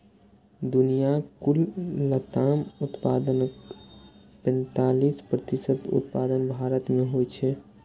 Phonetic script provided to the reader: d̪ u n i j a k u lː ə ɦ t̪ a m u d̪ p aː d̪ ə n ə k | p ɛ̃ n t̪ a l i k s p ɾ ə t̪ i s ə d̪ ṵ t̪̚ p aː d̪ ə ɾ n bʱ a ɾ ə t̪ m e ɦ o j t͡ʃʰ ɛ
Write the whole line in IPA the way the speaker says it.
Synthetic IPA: d̪ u n i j a k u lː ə t̪ a m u t̪ p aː d̪ ə n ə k | p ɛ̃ n t̪ a l i s p ɾ ə t̪ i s ə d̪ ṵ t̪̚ p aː d̪ ə n bʱ a ɾ ə t̪ m e ɦ o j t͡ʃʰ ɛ